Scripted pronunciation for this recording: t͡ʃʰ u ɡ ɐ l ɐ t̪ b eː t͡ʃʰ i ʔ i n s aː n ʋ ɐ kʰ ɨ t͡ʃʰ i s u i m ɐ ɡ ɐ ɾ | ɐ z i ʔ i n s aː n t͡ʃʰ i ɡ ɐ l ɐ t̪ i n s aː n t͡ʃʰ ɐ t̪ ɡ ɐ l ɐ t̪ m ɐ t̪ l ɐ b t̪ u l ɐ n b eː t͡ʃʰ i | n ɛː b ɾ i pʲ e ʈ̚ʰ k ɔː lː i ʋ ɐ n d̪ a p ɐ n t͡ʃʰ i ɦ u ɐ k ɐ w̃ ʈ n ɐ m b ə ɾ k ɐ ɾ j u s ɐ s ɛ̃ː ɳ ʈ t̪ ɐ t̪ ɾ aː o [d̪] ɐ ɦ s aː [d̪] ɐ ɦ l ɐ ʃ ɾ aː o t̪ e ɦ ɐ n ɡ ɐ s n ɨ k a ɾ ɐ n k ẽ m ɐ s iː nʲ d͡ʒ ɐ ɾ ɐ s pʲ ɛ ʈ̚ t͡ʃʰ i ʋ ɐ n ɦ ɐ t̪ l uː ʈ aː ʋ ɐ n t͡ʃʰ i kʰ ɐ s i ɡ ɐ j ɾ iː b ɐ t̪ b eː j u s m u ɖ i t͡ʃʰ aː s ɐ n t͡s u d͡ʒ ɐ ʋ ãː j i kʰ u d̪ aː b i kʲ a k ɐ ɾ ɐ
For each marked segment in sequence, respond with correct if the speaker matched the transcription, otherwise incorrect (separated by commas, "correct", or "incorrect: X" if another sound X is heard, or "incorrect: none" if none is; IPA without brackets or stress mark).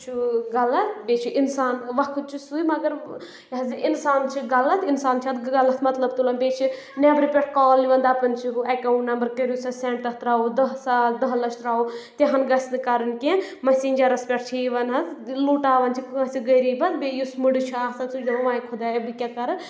correct, correct